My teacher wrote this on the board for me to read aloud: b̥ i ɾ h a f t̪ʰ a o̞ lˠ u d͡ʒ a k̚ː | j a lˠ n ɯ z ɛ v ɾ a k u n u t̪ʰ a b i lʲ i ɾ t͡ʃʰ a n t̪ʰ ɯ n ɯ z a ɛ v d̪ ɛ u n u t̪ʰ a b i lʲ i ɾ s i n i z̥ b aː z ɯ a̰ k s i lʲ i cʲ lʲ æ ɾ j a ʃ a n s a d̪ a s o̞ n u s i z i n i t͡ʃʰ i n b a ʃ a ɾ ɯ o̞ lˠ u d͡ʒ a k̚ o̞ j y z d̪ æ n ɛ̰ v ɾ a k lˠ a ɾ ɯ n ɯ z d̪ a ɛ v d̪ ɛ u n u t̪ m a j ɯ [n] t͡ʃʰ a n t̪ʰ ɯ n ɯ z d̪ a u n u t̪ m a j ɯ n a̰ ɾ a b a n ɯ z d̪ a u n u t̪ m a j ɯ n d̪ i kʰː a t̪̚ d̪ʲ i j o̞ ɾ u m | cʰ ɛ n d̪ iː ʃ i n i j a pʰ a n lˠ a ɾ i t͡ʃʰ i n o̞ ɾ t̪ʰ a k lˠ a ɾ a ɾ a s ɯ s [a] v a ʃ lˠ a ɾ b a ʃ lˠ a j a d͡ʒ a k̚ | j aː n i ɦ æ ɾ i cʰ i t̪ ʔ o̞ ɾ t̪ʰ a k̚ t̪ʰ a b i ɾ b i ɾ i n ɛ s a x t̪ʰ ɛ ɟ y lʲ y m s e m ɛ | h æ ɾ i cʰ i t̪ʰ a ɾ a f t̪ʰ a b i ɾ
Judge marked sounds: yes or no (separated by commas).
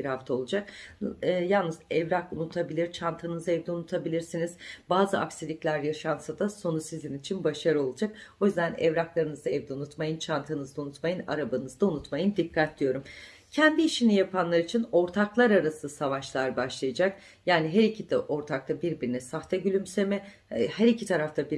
yes, yes